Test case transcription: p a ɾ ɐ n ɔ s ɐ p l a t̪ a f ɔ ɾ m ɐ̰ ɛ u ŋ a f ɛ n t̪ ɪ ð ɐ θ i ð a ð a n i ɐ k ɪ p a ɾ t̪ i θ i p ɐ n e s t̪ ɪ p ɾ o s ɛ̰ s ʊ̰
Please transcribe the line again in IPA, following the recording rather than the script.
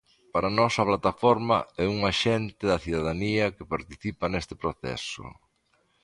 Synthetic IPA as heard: p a ɾ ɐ n ɔ s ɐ p l a t̪ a f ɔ ɾ m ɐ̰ ɛ u ŋ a ʃ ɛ n t̪ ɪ ð ɐ θ i ð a ð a n i ɐ k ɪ p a ɾ t̪ i θ i p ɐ n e s t̪ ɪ p ɾ o θ ɛ̰ s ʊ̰